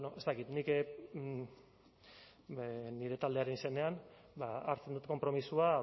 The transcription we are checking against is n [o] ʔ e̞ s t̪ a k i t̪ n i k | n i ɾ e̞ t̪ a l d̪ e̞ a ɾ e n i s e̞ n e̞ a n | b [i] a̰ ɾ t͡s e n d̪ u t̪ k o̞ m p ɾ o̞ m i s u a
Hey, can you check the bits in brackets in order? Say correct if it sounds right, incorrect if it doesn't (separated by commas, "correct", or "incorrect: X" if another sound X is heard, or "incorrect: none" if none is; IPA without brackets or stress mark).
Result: correct, incorrect: a